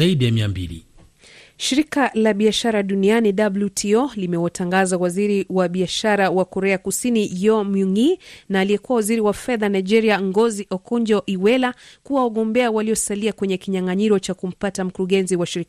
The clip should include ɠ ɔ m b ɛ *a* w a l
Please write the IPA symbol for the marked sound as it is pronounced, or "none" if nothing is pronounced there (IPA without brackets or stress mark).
a